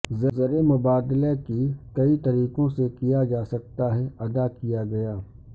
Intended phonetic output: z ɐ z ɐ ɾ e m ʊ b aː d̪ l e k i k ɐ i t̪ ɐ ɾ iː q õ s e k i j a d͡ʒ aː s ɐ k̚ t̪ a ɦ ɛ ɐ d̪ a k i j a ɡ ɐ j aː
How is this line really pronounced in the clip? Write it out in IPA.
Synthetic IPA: z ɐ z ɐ ɾ e m ʊ b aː d̪ l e k i k ɐ i t̪ ɐ ɾ iː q õ s e k i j a d͡ʒ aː s ɐ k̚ t̪ a ɦ ɛ ɐ d̪ a k i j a ɡ ɐ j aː